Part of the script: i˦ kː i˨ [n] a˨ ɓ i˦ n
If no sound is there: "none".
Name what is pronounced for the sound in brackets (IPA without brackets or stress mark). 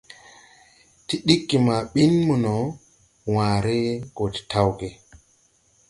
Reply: m